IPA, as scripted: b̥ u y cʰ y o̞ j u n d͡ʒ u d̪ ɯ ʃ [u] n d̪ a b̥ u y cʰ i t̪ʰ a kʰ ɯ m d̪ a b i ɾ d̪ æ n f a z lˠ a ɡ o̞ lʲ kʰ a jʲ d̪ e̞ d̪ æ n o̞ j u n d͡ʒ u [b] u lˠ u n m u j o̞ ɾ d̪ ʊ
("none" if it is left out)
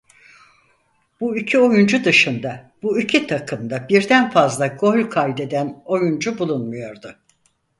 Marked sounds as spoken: ɯ, b

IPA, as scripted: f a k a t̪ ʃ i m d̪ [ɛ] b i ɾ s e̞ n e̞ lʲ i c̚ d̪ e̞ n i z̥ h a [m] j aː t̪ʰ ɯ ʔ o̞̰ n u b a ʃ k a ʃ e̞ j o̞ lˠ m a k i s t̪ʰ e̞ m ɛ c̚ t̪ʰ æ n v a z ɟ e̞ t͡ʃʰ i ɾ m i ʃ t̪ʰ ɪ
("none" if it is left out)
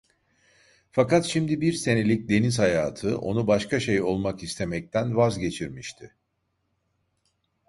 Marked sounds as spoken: i, none

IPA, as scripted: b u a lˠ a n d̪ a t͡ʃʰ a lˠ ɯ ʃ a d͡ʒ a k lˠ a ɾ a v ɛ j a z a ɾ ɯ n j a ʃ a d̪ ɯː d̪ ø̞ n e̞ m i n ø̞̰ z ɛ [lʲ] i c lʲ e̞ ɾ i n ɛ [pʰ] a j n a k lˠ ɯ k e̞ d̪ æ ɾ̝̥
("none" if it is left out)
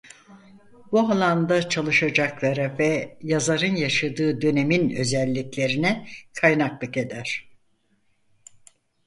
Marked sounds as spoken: lʲː, kʰ

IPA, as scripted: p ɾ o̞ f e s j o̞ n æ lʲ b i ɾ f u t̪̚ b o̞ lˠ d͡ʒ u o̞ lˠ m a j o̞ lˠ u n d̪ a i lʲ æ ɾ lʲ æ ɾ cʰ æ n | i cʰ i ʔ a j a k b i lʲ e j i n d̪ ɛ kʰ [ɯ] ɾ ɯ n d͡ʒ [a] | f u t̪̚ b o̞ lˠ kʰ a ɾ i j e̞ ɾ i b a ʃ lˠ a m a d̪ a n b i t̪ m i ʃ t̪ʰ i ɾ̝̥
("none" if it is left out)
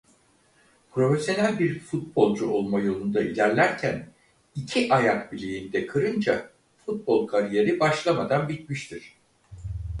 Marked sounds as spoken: ɯ, a

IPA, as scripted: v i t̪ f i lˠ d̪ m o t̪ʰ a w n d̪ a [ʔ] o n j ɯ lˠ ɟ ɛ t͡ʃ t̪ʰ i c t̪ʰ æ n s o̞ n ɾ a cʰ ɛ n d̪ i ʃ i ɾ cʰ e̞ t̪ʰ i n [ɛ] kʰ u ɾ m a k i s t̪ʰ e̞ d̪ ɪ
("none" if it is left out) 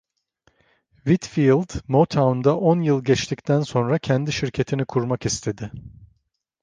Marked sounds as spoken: ʔ, i

